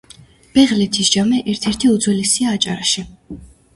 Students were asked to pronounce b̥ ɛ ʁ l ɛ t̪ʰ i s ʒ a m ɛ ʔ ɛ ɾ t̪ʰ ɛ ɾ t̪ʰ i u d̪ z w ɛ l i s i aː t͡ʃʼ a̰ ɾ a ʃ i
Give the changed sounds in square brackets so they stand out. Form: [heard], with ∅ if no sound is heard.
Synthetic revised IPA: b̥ ɛ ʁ l ɛ t̪ʰ i s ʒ a m ɛ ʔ ɛ ɾ t̪ʰ ɛ ɾ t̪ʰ i u d̪ z w ɛ l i s i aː t͡ʃʼ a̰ ɾ a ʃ i

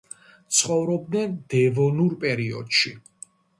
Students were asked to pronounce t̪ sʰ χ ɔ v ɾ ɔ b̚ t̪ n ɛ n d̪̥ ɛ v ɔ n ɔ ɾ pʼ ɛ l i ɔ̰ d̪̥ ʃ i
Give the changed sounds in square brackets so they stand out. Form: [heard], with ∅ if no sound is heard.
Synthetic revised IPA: t̪ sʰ χ ɔ v ɾ ɔ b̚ [d̪] n ɛ n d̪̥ ɛ v ɔ n [u] ɾ pʼ ɛ [ɾ] i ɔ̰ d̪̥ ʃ i

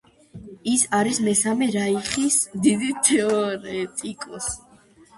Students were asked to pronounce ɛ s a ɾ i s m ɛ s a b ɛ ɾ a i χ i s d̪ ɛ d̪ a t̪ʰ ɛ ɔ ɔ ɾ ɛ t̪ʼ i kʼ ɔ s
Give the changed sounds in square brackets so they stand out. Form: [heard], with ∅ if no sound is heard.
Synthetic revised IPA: [i] s a ɾ i s m ɛ s a [m] ɛ ɾ a i χ i s d̪ [i] d̪ [i] t̪ʰ ɛ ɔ ɔ ɾ ɛ t̪ʼ i kʼ ɔ s

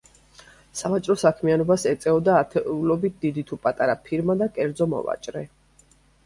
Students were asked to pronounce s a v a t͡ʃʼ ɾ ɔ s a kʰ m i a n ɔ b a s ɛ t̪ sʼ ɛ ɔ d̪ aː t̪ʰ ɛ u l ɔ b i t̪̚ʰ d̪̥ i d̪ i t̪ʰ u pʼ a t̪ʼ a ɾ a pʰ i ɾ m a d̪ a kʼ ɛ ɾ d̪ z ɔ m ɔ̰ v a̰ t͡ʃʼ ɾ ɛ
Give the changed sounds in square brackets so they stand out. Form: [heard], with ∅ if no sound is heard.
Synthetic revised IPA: s a v a t͡ʃʼ ɾ ɔ s a kʰ m i a n ɔ b a s ɛ t̪ sʼ ɛ ɔ d̪ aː t̪ʰ ɛ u l ɔ b i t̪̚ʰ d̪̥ i d̪ i t̪ʰ u pʼ a t̪ʼ a ɾ a pʰ i ɾ m a d̪ a kʼ ɛ ɾ d̪ z ɔ m ɔ̰ v a̰ t͡ʃʼ ɾ ɛ

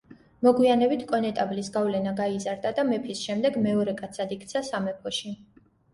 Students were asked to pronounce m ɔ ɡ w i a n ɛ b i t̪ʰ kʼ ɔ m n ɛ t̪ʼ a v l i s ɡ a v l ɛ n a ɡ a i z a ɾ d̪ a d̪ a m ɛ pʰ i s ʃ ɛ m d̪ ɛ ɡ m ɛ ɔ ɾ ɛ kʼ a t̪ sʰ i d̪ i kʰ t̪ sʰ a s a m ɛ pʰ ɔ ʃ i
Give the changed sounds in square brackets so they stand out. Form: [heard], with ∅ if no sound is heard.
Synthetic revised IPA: m ɔ ɡ w i a n ɛ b i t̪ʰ kʼ ɔ [∅] n ɛ t̪ʼ a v l i s ɡ a v l ɛ n a ɡ a i z a ɾ d̪ a d̪ a m ɛ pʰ i s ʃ ɛ m d̪ ɛ ɡ m ɛ ɔ ɾ ɛ kʼ a t̪ sʰ [a] d̪ i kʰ t̪ sʰ a s a m ɛ pʰ ɔ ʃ i

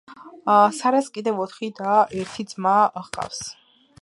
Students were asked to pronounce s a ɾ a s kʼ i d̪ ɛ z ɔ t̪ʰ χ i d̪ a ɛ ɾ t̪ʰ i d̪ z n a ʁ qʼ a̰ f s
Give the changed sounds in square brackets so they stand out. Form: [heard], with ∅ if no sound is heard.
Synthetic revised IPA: s a ɾ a s kʼ i d̪ ɛ [v] ɔ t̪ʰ χ i d̪ a ɛ ɾ t̪ʰ i d̪ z [m] a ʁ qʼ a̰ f s

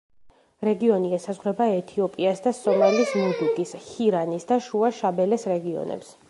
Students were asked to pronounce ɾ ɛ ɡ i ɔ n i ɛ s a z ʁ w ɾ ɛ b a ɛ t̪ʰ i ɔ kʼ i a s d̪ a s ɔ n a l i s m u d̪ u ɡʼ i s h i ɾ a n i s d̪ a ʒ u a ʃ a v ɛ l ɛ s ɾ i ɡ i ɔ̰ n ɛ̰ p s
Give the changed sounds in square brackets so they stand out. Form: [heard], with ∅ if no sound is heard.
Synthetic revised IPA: ɾ ɛ ɡ i ɔ n i ɛ s a z ʁ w ɾ ɛ b a ɛ t̪ʰ i ɔ [pʼ] i a s d̪ a s ɔ [m] a l i s m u d̪ u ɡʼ i s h i ɾ a n i s d̪ a [ʃ] u a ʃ a [b] ɛ l ɛ s ɾ [ɛ] ɡ i ɔ̰ n ɛ̰ p s

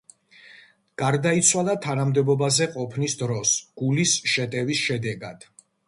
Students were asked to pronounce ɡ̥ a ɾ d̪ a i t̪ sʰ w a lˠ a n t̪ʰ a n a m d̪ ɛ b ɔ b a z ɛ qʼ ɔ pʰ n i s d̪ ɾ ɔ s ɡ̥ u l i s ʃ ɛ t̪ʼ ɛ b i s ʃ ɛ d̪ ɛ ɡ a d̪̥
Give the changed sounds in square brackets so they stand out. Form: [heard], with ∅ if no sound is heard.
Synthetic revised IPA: ɡ̥ a ɾ d̪ a i t̪ sʰ w a lˠ a [∅] t̪ʰ a n a m d̪ ɛ b ɔ b a z ɛ qʼ ɔ pʰ n i s d̪ ɾ ɔ s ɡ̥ u l i s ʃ ɛ t̪ʼ ɛ [v] i s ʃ ɛ d̪ ɛ ɡ a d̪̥

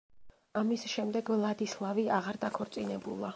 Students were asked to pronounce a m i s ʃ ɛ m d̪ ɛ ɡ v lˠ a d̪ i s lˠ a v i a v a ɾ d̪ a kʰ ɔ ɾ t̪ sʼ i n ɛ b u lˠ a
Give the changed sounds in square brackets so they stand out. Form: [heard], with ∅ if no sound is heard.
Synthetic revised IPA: a m i s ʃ ɛ m d̪ ɛ ɡ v lˠ a d̪ i s lˠ a v i a [ʁ] a ɾ d̪ a kʰ ɔ ɾ t̪ sʼ i n ɛ b u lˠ a

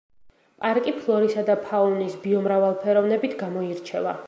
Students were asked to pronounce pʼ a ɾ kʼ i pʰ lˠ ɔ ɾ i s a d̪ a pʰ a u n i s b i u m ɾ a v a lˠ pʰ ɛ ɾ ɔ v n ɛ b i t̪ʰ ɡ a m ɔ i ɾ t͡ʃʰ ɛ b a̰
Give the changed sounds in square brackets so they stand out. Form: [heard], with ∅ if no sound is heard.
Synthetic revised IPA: pʼ a ɾ kʼ i pʰ lˠ ɔ ɾ i s a d̪ a pʰ a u n i s b i [ɔ] m ɾ a v a lˠ pʰ ɛ ɾ ɔ v n ɛ b i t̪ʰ ɡ a m ɔ i ɾ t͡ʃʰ ɛ [v] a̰

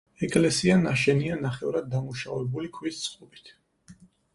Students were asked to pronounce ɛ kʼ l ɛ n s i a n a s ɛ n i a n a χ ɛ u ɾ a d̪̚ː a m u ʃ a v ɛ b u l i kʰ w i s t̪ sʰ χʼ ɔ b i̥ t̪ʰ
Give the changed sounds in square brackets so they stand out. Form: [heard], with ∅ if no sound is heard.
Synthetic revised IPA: ɛ kʼ l ɛ [∅] s i a n a [ʃ] ɛ n i a n a χ ɛ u ɾ a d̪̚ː a m u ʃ a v ɛ b u l i kʰ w i s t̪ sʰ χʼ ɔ b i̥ t̪ʰ

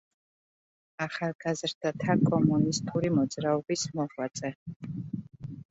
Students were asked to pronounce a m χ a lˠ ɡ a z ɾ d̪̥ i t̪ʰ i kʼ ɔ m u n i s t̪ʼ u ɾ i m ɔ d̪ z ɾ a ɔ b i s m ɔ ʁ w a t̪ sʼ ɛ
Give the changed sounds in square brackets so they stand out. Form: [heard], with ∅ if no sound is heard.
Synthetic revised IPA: a [∅] χ a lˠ ɡ a z ɾ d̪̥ [a] t̪ʰ [a] kʼ ɔ m u n i s t̪ʼ u ɾ i m ɔ d̪ z ɾ a ɔ b i s m ɔ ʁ w a t̪ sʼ ɛ

